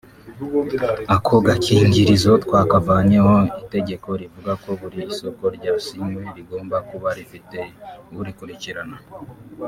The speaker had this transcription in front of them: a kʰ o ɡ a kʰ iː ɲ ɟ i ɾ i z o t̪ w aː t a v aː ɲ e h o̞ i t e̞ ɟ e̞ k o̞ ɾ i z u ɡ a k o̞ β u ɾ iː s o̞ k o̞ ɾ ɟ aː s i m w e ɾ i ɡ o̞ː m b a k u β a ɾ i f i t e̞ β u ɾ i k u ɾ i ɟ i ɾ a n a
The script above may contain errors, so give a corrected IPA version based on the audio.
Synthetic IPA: a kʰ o ɡ a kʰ iː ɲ ɟ i ɾ i z o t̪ w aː k a v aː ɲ e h o̞ i t e̞ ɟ e̞ k o̞ ɾ i v u ɡ a k o̞ β u ɾ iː s o̞ k o̞ ɾ ɟ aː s i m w e ɾ i ɡ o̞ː m b a k u β a ɾ i f i t e̞ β u ɾ i k u ɾ i c i ɾ a n a